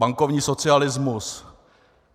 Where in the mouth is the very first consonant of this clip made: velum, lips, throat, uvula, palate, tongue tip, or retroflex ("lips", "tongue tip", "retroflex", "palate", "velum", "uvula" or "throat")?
velum